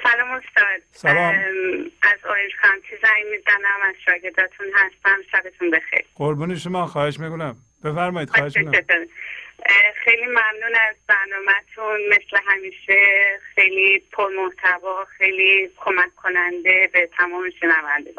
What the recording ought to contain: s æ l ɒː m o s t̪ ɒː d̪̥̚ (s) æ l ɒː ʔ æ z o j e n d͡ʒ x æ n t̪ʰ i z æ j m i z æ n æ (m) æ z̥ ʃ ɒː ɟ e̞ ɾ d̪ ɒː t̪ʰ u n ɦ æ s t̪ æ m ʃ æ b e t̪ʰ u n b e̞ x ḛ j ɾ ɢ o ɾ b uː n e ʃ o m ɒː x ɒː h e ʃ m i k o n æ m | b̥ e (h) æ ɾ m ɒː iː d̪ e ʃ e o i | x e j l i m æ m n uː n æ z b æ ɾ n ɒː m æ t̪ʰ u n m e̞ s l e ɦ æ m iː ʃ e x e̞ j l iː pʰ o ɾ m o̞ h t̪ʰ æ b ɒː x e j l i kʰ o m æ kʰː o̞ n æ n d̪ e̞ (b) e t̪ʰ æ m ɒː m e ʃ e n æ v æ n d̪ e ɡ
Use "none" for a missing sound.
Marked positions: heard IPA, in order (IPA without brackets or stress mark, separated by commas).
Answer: s, m, f, b